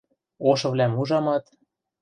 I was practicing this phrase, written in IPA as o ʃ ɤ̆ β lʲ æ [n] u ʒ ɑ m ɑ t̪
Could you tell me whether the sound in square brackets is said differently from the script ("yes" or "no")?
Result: yes